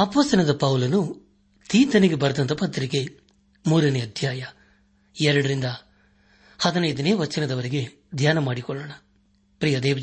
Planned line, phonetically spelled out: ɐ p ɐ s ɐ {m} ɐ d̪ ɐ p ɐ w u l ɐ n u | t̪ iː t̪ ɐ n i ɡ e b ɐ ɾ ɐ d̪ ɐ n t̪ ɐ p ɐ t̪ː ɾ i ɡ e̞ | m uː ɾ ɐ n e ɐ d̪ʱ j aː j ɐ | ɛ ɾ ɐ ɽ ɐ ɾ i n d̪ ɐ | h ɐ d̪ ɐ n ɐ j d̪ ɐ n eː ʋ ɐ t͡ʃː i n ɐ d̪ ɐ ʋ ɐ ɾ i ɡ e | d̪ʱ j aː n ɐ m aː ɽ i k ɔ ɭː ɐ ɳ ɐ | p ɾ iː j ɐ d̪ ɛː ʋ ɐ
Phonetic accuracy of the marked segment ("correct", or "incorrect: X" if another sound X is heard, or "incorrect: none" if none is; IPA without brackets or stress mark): incorrect: n